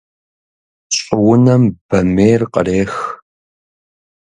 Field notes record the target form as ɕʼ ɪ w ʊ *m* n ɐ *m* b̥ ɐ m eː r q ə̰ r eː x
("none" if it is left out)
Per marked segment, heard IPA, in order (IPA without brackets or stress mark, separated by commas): none, m